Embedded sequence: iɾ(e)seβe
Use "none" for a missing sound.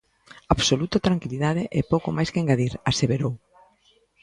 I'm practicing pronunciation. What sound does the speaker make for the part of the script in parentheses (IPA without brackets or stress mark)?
a